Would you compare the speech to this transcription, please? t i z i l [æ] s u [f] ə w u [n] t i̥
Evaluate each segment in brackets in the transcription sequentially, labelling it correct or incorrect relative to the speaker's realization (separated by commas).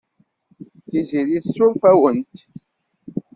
incorrect, correct, correct